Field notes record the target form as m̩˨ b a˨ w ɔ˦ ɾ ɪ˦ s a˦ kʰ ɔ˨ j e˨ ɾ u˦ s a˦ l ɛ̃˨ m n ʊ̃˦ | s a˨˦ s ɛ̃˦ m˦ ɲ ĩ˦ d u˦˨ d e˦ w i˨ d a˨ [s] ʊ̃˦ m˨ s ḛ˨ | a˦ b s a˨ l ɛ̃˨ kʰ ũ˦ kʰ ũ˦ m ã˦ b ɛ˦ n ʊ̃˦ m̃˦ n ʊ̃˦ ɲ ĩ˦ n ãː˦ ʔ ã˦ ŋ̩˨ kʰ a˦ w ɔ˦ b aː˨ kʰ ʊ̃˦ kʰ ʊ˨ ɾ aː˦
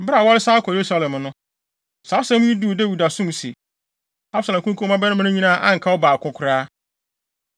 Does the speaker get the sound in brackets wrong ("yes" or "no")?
no